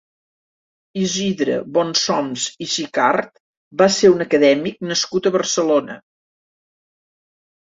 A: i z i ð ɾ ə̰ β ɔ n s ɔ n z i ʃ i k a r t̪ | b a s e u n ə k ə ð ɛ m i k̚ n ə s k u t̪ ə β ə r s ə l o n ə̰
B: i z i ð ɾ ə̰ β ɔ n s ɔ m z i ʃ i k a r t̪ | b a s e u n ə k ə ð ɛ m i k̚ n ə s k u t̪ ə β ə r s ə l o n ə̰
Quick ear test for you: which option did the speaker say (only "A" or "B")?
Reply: B